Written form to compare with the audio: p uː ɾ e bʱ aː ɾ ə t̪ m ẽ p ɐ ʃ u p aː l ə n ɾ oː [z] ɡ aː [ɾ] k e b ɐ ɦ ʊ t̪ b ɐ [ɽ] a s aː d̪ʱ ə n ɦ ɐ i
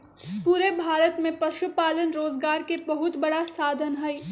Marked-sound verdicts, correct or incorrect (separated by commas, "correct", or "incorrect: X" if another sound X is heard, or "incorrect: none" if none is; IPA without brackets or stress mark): correct, correct, correct